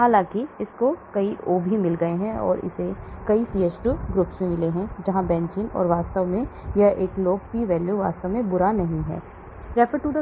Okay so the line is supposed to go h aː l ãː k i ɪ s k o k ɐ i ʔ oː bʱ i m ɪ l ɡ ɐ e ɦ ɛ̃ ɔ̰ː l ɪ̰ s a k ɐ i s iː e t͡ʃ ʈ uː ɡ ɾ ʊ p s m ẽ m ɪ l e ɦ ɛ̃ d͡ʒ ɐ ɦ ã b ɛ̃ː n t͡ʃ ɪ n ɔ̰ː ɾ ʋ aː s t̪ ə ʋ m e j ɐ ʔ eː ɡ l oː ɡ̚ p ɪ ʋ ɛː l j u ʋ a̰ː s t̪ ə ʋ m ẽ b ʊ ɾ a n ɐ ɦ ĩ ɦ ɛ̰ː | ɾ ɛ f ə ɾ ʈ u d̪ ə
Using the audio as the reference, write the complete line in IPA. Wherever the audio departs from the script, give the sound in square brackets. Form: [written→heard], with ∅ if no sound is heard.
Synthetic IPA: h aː l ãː k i ɪ s k o k ɐ i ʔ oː bʱ i m ɪ l ɡ ɐ e ɦ ɛ̃ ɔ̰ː [l→ɾ] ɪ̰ s [a→e] k ɐ i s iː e t͡ʃ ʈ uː ɡ ɾ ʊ p s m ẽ m ɪ l e ɦ ɛ̃ d͡ʒ ɐ ɦ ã b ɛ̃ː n t͡ʃ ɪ n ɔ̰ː ɾ ʋ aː s t̪ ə ʋ m [e→ẽ] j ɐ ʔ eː [ɡ→k] l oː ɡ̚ p [ɪ→i] ʋ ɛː l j u ʋ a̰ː s t̪ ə ʋ m ẽ b ʊ ɾ a n ɐ ɦ ĩ ɦ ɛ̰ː | ɾ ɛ f ə ɾ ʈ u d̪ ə